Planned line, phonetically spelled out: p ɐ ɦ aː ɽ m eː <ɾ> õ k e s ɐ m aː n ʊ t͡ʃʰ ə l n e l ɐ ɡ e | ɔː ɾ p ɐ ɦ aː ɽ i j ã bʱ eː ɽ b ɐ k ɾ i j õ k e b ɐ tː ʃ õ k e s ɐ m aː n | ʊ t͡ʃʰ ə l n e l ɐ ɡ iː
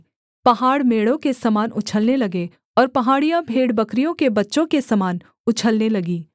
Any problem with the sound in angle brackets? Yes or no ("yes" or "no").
yes